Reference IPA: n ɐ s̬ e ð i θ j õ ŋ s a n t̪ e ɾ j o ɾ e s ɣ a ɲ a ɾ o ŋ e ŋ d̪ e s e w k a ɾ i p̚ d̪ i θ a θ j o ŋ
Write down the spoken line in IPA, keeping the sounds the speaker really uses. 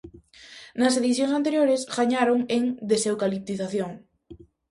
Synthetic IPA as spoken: n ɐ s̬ e ð i θ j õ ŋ s a n t̪ e ɾ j o ɾ e s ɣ a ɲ a ɾ o ŋ e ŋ d̪ e s e w k a l i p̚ t̪ i θ a θ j o ŋ